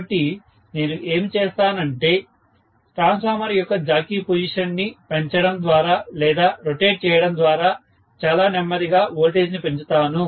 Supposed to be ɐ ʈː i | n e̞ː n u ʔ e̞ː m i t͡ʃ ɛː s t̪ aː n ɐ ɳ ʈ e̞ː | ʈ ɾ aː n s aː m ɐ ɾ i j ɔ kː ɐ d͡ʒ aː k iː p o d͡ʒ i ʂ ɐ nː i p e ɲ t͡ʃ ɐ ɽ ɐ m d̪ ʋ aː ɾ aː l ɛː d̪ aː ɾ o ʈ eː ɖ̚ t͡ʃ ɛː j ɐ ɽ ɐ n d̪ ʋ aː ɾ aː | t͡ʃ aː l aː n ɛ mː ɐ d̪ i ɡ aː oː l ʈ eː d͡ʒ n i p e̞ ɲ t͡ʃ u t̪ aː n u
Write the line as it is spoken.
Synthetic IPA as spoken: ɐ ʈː i | n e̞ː n u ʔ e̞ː m i t͡ʃ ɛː s t̪ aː n ɐ ɳ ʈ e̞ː | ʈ ɾ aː n s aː m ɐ ɾ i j ɔ kː ɐ d͡ʒ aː k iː p o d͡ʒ i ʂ ɐ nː i p e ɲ t͡ʃ ɐ ɽ ɐ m d̪ ʋ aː ɾ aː l ɛː d̪ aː ɾ o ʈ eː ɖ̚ t͡ʃ ɛː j ɐ ɽ ɐ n d̪ ʋ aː ɾ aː | t͡ʃ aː l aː n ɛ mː ɐ d̪ i ɡ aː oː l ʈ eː d͡ʒ n i p e̞ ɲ t͡ʃ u t̪ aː n u